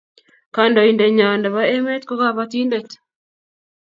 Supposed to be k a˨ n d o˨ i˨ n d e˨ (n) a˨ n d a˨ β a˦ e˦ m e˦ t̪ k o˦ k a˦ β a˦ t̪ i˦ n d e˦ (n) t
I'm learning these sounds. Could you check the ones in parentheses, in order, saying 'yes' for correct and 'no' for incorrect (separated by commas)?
no, no